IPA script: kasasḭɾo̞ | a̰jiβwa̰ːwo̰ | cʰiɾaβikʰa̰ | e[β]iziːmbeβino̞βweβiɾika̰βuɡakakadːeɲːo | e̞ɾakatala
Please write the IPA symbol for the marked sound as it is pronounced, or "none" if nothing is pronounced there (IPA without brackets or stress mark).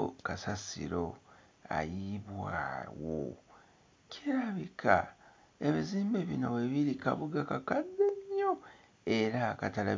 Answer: β